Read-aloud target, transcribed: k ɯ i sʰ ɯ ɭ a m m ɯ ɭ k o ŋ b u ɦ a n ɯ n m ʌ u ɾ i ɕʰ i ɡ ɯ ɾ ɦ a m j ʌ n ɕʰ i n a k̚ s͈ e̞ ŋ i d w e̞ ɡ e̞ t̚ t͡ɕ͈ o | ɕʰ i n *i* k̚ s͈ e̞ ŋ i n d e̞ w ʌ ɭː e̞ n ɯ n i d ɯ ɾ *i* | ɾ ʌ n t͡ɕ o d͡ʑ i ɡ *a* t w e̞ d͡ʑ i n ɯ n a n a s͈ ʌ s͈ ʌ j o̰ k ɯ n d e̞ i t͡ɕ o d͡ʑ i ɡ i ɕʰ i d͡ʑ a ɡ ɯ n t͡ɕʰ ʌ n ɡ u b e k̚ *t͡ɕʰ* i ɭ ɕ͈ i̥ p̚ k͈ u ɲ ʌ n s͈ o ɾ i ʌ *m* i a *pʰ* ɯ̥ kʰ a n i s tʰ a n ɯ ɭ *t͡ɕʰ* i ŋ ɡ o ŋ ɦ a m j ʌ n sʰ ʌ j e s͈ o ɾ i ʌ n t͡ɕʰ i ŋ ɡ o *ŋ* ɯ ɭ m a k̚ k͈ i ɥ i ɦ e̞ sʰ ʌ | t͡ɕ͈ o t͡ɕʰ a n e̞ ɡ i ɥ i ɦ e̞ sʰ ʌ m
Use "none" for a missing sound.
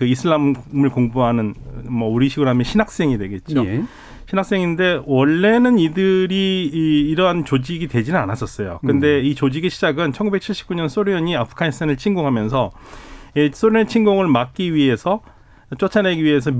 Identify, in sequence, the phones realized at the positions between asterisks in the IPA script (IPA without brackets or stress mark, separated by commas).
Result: a, iː, i, t͡ɕʰ, ɲ, pʰ, t͡ɕʰ, ŋ